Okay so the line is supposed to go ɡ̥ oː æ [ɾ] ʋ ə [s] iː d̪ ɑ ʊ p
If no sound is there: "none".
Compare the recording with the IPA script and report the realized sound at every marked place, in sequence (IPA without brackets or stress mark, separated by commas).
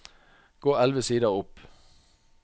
l, s